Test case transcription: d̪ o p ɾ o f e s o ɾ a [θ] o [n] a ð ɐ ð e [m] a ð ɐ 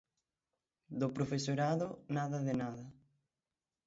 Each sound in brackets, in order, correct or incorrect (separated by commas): incorrect, correct, incorrect